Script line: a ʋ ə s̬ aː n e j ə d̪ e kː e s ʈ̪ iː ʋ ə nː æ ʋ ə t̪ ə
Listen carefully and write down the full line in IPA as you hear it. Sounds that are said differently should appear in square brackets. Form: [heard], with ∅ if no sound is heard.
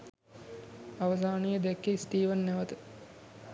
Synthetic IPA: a ʋ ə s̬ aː n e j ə d̪ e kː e s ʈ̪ iː ʋ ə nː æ ʋ ə t̪ ə